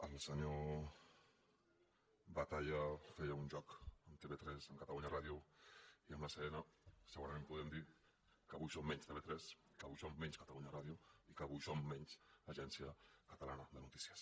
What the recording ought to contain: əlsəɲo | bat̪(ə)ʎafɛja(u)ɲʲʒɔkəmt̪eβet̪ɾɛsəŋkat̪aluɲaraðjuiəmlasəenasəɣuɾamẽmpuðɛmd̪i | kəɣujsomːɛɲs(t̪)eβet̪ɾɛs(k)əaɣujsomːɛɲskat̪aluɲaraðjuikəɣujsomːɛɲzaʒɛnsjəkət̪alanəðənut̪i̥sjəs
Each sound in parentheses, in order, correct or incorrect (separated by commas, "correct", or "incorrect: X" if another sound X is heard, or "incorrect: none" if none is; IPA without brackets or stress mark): incorrect: a, correct, correct, correct